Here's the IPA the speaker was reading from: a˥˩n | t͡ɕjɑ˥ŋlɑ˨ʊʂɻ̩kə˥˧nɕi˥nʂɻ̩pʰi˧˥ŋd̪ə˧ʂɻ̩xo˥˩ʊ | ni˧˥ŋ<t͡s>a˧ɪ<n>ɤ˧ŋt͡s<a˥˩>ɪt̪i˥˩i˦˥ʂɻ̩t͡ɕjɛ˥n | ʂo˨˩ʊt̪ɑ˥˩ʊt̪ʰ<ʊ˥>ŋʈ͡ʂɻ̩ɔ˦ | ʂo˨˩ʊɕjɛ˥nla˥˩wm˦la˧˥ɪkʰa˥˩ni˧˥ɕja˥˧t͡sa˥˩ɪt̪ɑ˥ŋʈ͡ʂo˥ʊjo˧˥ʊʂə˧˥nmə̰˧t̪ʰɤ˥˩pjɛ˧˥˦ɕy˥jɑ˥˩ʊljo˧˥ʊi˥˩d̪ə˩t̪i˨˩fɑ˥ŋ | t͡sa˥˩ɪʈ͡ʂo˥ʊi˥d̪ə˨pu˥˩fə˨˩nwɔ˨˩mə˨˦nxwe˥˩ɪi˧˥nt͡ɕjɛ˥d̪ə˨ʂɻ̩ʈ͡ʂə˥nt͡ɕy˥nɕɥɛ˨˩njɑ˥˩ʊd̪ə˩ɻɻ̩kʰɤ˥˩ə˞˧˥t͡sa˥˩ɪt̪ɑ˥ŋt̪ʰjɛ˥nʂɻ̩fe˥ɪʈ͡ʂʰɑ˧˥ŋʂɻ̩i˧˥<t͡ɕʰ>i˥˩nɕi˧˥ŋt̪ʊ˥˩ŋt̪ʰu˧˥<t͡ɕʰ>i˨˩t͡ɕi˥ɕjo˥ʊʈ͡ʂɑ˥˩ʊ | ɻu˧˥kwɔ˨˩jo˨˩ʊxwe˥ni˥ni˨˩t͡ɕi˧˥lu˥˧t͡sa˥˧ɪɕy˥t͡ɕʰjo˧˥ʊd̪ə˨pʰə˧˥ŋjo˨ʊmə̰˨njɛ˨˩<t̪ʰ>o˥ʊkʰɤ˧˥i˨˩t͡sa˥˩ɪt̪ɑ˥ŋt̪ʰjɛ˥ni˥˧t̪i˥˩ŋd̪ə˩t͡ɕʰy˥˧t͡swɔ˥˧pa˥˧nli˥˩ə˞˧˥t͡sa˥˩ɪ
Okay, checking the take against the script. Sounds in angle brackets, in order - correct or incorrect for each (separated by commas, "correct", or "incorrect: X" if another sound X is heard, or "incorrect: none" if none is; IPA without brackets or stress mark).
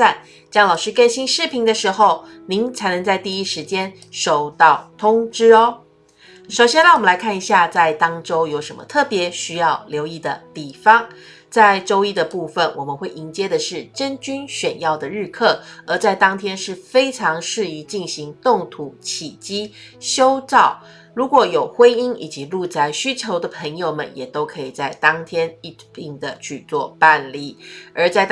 incorrect: t͡sʰ, correct, incorrect: a˥˧, correct, incorrect: t͡ɕ, correct, incorrect: t̪